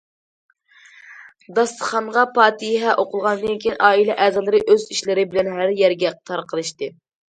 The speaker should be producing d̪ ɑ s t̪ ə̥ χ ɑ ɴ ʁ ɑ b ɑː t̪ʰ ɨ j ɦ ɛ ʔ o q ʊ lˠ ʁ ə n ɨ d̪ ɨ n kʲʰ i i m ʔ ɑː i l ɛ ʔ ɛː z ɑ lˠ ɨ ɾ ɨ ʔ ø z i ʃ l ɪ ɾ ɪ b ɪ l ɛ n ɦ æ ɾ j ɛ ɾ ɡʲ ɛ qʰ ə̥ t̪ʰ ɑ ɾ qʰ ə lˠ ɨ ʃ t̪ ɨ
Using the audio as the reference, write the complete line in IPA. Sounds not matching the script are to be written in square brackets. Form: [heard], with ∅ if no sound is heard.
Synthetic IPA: d̪ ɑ s t̪ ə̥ χ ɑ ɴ ʁ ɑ [p] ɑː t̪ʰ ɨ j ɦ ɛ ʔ o q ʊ lˠ ʁ [ɑ] n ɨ d̪ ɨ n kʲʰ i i [n] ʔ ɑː i l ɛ ʔ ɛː z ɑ lˠ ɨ ɾ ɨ ʔ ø z i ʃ l ɪ ɾ ɪ b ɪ l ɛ n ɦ æ ɾ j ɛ ɾ ɡʲ ɛ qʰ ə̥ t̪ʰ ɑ ɾ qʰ ə lˠ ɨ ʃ t̪ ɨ